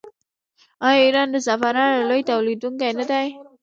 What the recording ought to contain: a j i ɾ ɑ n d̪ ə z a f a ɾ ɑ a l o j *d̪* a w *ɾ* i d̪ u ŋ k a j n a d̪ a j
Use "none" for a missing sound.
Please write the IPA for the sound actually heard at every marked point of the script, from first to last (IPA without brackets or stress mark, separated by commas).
t̪, l